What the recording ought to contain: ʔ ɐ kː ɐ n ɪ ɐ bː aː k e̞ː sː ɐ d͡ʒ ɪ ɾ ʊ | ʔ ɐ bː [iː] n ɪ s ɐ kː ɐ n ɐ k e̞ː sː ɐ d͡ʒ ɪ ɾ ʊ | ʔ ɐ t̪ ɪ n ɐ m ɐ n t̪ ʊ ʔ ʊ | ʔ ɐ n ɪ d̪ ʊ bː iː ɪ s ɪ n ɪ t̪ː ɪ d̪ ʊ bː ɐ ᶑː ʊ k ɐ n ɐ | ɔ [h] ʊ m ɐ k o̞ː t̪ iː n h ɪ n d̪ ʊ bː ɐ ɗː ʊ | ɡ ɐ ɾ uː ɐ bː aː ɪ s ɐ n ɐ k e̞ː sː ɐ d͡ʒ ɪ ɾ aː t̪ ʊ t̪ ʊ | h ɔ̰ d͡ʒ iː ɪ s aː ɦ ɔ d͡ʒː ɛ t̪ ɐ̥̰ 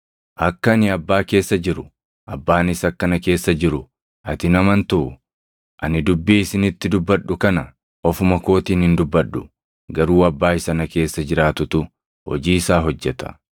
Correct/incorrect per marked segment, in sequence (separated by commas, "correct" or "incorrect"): incorrect, incorrect